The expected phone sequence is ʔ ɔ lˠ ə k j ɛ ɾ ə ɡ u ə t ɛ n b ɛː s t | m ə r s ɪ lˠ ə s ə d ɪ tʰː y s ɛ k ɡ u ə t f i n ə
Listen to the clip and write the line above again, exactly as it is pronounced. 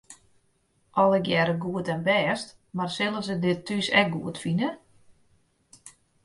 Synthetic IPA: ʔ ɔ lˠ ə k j ɛ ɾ ə ɡ u ə t ɛ n b ɛː s t | m a r s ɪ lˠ ə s ə d ɪ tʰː y s ɛ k ɡ u ə t f i n ə